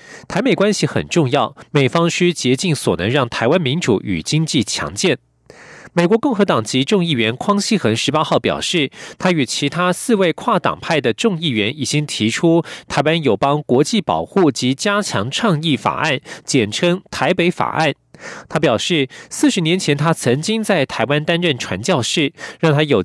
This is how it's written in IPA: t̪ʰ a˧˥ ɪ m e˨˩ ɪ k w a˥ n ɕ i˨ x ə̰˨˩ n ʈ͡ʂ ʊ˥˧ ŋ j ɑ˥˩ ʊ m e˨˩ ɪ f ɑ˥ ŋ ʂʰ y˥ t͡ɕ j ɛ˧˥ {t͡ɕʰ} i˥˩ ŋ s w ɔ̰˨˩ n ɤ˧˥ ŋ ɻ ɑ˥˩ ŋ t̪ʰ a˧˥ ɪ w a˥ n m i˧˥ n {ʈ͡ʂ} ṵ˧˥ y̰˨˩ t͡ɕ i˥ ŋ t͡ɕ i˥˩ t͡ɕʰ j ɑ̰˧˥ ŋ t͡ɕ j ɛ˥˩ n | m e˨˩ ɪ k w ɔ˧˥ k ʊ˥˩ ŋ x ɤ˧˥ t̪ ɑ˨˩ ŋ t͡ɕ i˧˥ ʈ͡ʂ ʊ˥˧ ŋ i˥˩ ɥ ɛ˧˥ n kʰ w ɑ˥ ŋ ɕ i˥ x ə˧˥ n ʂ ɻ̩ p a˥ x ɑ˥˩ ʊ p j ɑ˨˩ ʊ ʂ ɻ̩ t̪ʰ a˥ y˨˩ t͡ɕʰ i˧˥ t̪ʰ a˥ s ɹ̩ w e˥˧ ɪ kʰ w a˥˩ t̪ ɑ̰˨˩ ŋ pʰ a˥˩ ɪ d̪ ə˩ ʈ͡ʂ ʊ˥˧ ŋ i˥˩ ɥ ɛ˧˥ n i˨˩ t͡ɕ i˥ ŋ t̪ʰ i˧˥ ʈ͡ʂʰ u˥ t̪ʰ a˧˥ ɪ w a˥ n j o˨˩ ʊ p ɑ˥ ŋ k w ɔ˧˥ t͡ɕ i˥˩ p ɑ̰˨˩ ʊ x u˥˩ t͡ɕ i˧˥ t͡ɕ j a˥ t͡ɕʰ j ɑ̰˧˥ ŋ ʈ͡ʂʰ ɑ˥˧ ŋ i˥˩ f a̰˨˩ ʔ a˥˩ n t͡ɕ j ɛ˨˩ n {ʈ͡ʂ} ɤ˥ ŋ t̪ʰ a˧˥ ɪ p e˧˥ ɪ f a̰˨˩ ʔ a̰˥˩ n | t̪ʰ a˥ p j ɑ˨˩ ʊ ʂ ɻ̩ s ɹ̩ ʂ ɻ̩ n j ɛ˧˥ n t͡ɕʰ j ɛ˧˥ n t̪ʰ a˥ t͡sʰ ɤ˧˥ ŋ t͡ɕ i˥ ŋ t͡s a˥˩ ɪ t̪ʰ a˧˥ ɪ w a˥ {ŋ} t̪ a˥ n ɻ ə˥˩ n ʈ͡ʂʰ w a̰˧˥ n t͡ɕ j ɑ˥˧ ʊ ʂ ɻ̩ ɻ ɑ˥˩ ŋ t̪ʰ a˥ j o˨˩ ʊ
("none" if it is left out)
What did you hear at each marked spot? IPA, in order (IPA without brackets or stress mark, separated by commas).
t͡ɕ, ʈ͡ʂ, ʈ͡ʂʰ, n